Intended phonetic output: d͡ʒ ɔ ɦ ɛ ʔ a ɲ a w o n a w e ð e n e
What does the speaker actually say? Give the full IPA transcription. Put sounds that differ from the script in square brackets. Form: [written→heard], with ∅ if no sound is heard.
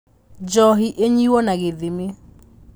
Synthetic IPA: d͡ʒ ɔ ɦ [ɛ→i] ʔ [a→e] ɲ [a→i] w [o→ɔ] n a [w→ɣ] e ð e [n→m] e